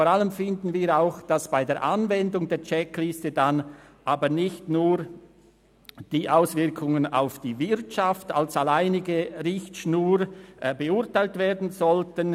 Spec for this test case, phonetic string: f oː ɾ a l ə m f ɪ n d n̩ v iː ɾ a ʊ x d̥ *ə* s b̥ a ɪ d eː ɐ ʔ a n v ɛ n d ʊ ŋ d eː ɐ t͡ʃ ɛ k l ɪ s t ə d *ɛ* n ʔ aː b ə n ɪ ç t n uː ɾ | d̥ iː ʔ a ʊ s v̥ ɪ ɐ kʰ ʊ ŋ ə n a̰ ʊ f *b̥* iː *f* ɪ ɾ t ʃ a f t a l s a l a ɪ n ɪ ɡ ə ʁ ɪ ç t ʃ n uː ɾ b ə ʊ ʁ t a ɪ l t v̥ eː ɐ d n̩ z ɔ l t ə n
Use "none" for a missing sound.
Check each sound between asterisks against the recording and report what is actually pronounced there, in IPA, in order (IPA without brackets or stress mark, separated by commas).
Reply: a, a, d̥, v